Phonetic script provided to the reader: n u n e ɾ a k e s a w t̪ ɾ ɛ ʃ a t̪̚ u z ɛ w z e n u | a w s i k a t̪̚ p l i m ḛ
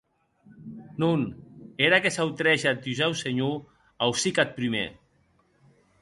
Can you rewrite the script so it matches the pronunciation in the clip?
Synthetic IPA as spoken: n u n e ɾ a k e s a w t̪ ɾ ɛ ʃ a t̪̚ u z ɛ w s e ɲ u | a w s i k a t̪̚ p ɾ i m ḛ